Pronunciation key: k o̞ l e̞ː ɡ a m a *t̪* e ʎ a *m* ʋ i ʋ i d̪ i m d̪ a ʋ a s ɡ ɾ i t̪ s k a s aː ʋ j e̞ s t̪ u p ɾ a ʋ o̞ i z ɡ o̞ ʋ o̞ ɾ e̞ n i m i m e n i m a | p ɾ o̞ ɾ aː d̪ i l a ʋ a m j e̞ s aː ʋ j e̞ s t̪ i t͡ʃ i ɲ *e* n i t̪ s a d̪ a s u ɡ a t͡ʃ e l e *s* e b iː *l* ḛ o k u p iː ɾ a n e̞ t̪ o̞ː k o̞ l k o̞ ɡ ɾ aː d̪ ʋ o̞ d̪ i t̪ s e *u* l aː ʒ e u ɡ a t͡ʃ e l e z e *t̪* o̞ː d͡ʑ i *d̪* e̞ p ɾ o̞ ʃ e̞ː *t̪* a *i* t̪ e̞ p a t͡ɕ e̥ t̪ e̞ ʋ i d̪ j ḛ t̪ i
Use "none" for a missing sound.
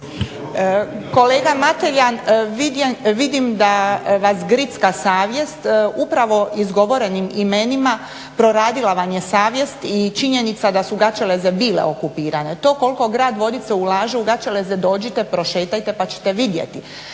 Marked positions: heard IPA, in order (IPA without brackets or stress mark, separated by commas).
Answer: t̪, n, e, z, l, u, d̪, t̪, t̪, j